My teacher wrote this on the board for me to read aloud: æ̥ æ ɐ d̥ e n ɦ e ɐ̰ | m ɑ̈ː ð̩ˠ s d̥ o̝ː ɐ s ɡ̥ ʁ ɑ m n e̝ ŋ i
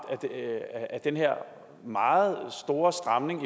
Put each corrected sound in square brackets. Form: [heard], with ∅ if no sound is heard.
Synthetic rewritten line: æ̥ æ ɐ d̥ e n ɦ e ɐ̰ | m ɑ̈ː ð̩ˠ s d̥ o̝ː ɐ s [d̥] ʁ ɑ m n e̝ ŋ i